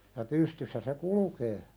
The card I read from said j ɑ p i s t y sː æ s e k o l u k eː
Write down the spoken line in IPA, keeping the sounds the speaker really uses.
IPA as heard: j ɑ p y s t y sː æ s e k u l u k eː